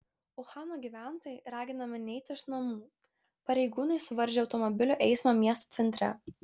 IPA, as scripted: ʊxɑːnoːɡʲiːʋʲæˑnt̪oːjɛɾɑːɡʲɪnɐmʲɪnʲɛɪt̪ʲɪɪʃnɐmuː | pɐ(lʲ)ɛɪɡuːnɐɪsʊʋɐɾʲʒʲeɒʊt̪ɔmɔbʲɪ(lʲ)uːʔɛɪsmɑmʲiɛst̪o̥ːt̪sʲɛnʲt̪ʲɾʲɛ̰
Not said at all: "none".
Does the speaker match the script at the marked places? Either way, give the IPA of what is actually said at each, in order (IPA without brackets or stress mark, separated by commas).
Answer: ɾʲ, lʲ